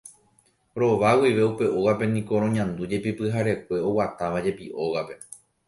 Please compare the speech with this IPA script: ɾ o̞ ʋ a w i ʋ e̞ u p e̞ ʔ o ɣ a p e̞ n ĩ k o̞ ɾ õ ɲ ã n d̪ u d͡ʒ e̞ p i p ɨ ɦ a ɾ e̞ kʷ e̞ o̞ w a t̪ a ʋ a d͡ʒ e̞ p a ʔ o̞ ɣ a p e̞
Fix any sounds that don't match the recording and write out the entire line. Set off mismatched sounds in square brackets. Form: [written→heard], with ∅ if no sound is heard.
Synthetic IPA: ɾ o̞ ʋ a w i ʋ e̞ u p e̞ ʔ o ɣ a p e̞ n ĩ k o̞ ɾ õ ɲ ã n d̪ u d͡ʒ e̞ p i p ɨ ɦ a ɾ e̞ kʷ e̞ o̞ w a t̪ a ʋ a d͡ʒ e̞ p [a→i] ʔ o̞ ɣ a p e̞